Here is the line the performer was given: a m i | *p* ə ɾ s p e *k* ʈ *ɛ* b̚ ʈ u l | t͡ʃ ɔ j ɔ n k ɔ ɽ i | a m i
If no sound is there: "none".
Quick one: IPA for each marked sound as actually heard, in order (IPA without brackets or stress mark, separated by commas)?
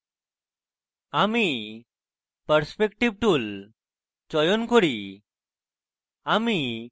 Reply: p, k, i